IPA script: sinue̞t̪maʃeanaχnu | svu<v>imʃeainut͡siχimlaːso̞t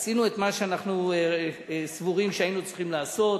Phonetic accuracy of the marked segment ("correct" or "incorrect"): incorrect